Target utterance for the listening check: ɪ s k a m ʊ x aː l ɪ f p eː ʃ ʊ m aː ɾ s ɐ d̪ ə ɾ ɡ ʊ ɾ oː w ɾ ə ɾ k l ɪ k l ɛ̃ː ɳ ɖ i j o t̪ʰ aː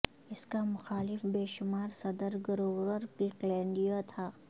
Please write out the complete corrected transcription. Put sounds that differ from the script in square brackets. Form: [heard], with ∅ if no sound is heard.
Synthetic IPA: ɪ s k a m ʊ x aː l ɪ f [b] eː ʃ ʊ m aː ɾ s ɐ d̪ ə ɾ ɡ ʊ ɾ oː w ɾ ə ɾ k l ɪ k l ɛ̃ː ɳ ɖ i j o t̪ʰ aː